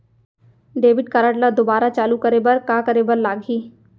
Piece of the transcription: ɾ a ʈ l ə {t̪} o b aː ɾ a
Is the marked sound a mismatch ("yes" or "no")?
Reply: yes